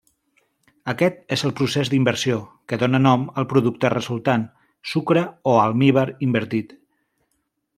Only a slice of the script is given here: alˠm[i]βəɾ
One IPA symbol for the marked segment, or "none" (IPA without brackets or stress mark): i